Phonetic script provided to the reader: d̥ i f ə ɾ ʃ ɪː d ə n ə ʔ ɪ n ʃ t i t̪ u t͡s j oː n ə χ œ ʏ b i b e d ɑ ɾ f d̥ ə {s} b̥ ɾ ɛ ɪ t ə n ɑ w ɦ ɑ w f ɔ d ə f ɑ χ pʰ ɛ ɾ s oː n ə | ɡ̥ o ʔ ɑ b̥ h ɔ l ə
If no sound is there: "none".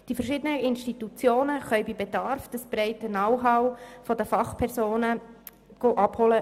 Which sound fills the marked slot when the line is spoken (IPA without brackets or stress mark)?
s